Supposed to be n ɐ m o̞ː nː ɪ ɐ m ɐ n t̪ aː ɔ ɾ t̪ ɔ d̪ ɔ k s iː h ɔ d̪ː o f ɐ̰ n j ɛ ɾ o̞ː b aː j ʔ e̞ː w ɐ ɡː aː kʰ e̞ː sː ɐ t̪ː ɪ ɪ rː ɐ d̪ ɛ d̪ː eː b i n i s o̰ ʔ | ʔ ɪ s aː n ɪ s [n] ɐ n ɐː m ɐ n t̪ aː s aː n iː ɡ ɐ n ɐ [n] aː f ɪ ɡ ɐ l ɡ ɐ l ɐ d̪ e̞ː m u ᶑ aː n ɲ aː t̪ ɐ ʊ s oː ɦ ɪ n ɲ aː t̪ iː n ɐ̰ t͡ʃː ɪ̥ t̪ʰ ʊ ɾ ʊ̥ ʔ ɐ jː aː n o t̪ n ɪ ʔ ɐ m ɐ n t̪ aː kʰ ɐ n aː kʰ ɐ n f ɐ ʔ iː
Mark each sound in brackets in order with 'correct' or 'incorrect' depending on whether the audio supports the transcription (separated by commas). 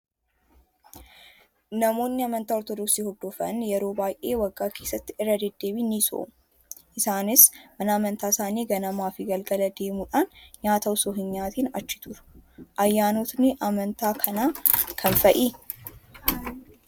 incorrect, incorrect